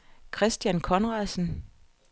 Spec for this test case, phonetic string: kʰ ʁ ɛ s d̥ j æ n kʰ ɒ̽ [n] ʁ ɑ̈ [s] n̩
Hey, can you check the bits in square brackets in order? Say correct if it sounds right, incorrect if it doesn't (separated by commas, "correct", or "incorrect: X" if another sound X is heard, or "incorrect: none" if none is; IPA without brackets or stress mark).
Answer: correct, correct